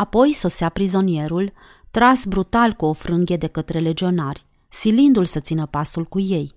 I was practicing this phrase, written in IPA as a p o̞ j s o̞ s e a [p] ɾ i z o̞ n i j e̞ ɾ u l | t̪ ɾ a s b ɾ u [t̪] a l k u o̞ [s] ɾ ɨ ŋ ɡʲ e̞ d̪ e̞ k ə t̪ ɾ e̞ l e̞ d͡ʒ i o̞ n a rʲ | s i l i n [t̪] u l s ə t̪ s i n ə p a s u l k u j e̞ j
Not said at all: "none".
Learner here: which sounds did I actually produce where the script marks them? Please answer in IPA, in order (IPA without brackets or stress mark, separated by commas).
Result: p, t̪, f, d̪